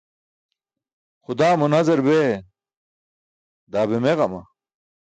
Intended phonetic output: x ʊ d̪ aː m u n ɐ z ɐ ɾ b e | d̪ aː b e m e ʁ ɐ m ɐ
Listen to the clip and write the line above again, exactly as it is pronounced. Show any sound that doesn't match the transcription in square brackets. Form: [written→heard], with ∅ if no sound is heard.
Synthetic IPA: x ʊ d̪ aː m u n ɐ z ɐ ɾ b e | d̪ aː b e m e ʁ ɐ m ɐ